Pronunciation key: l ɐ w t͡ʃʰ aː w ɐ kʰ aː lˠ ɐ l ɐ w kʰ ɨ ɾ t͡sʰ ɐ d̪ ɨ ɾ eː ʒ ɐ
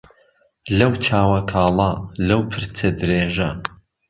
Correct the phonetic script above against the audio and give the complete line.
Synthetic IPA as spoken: l ɐ w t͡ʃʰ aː w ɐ kʰ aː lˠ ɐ l ɐ w pʰ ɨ ɾ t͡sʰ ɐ d̪ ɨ ɾ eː ʒ ɐ